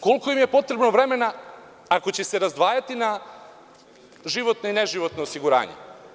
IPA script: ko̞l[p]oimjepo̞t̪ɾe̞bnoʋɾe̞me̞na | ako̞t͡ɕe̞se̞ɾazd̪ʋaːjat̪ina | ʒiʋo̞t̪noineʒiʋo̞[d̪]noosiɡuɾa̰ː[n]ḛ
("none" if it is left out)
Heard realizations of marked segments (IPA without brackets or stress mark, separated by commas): k, t̪, ɲ